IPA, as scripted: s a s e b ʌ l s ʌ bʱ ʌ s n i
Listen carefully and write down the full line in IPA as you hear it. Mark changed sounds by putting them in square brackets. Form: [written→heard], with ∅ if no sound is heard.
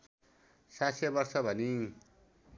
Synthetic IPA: s a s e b ʌ [l→r] s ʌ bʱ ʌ [s→∅] n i

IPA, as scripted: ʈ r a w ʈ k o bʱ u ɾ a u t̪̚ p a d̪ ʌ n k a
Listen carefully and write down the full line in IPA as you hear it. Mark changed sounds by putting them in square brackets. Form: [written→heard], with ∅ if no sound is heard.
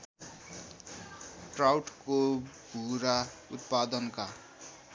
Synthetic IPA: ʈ r a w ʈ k o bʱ u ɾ a u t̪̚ p a d̪ ʌ n k a

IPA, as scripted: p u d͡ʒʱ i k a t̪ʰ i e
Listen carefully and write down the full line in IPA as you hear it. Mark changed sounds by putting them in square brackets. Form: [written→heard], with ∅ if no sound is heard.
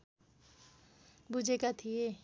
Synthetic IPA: [p→b] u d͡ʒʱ [i→e] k a t̪ʰ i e

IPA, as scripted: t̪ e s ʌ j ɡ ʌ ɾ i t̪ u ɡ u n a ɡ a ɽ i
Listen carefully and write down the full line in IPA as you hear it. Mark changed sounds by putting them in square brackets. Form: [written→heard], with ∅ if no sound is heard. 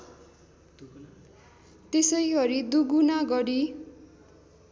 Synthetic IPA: t̪ e s ʌ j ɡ ʌ ɾ i [t̪→d̪] u ɡ u n a ɡ [a→ʌ] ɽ i

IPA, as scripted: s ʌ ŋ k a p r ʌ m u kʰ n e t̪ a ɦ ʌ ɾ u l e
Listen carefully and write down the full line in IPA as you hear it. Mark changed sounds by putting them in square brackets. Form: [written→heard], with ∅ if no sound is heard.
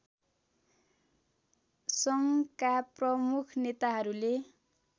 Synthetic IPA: s ʌ ŋ k a p r ʌ m u kʰ n e t̪ a ɦ ʌ ɾ u l e

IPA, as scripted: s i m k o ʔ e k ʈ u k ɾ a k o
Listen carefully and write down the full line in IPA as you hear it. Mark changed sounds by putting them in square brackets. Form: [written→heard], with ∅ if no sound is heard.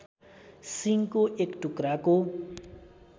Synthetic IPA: s i [m→ŋ] k o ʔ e k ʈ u k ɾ a k o

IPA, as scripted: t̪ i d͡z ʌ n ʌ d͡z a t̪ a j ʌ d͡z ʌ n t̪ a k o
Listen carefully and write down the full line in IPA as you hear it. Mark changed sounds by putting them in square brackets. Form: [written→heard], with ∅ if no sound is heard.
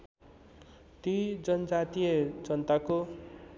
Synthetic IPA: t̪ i d͡z ʌ n ʌ d͡z a t̪ [a→i] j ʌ d͡z ʌ n t̪ a k o

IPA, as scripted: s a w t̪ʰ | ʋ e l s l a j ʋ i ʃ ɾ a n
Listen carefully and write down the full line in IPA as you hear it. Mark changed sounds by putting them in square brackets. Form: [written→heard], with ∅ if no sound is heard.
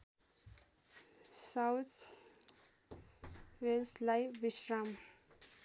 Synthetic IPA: s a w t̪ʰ | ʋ e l s l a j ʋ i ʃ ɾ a [n→m]

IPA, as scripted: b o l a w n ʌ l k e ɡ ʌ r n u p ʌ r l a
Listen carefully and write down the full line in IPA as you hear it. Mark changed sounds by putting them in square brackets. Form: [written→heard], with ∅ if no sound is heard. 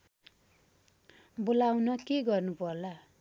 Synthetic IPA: b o l a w n ʌ [l→∅] k e ɡ ʌ r n u p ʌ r l a

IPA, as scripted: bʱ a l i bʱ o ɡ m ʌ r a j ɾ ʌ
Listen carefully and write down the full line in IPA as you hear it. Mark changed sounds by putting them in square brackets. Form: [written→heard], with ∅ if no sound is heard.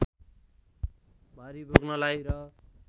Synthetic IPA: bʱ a [l→ɾ] i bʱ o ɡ [m→n] ʌ [r→l] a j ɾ ʌ

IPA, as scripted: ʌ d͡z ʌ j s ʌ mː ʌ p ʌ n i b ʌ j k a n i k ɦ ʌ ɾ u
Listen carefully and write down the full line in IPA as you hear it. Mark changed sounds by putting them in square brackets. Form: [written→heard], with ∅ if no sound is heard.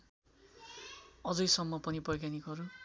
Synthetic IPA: ʌ d͡z ʌ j s ʌ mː ʌ p ʌ n i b ʌ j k a n i k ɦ ʌ ɾ u

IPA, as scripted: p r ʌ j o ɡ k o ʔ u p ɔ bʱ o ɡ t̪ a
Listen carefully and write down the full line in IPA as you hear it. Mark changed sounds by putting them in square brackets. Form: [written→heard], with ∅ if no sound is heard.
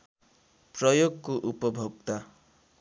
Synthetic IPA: p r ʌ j o ɡ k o ʔ u p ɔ bʱ o ɡ t̪ a

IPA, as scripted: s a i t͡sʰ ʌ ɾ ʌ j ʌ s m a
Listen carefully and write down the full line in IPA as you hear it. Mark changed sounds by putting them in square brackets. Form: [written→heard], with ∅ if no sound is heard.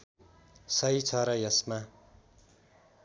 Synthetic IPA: s [a→ʌ] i t͡sʰ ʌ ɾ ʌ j ʌ s m a

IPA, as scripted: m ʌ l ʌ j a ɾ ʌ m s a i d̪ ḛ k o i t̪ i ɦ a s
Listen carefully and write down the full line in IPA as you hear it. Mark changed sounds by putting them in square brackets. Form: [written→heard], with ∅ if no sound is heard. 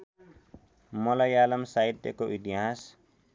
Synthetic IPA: m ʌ l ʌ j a [ɾ→l] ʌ m s a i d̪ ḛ k o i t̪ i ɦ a s

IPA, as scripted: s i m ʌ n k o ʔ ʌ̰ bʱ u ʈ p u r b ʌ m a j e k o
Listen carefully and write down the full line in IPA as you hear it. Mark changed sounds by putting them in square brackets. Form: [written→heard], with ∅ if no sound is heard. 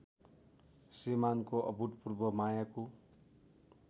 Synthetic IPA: s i m [ʌ→a] n k o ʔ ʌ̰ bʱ u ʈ p u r b ʌ m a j [e→a] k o

